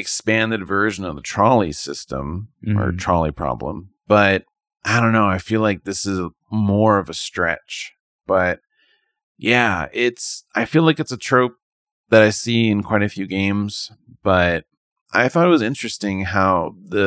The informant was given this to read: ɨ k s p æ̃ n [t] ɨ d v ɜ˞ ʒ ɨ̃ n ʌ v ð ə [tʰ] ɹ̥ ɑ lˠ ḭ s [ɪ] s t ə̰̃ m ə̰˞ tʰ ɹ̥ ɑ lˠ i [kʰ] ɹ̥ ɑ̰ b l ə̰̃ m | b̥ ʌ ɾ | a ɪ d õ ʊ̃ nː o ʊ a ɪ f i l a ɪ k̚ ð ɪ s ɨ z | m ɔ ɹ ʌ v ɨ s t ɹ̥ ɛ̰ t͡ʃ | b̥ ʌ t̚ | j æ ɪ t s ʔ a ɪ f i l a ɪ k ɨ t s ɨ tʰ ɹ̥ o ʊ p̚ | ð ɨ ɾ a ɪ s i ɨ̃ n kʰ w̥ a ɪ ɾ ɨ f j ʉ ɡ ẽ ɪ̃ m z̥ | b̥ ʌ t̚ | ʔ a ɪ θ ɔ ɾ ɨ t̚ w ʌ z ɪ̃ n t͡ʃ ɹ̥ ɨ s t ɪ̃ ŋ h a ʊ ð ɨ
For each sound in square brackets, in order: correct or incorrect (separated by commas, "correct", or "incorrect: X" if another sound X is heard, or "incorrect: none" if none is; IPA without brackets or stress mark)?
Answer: incorrect: d, correct, correct, incorrect: pʰ